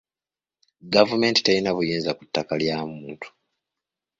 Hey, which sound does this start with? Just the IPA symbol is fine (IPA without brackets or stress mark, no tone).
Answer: ɡ